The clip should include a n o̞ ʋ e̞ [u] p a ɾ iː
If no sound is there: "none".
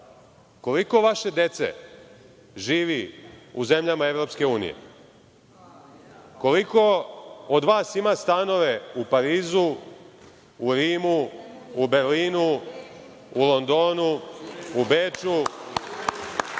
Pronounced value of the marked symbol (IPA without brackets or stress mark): u